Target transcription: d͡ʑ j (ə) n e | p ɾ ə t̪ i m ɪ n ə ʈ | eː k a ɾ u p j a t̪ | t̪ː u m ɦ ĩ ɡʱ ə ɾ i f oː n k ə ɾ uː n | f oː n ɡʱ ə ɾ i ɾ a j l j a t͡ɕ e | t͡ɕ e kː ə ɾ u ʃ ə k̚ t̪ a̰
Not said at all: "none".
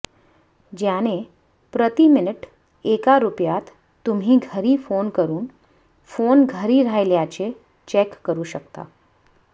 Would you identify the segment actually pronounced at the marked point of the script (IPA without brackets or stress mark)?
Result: a